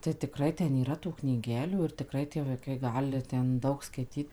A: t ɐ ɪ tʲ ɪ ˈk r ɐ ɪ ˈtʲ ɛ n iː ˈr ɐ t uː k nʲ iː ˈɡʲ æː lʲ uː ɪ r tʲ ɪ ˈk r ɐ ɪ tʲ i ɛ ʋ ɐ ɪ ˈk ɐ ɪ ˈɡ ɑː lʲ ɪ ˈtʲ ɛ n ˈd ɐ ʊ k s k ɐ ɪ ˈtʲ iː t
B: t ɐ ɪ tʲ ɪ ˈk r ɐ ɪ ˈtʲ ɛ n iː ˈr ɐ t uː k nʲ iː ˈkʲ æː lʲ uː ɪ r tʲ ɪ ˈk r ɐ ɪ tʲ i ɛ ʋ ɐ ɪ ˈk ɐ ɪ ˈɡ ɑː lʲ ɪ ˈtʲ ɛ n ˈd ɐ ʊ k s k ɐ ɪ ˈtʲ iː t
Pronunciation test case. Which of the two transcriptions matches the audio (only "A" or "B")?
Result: A